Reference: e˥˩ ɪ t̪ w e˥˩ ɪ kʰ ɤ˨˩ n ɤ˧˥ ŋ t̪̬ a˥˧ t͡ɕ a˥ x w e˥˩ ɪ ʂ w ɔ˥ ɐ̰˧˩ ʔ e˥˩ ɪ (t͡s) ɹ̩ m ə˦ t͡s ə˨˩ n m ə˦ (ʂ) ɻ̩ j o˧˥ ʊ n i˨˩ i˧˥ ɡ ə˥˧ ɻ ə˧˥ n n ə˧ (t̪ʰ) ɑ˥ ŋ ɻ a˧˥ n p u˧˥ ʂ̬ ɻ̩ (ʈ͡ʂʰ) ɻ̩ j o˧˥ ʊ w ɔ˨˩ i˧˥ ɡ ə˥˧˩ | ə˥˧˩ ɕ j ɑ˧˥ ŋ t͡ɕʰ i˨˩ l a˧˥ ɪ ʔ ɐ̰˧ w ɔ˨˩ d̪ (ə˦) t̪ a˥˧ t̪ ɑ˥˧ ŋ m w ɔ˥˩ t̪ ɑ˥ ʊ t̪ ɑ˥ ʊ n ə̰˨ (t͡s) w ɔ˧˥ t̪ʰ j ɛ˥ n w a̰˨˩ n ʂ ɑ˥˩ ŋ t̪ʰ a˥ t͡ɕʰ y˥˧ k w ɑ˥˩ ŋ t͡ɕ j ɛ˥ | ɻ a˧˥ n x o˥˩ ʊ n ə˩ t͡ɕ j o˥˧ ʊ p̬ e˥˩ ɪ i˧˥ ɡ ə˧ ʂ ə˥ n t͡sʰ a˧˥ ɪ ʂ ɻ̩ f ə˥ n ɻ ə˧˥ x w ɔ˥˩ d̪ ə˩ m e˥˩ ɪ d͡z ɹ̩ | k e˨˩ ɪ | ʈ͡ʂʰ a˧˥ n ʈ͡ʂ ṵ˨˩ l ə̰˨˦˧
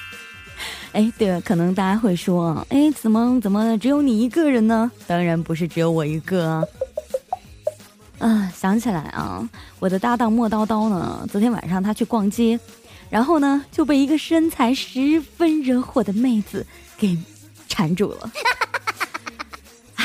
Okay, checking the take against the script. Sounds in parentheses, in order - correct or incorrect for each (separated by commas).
correct, incorrect, incorrect, incorrect, correct, correct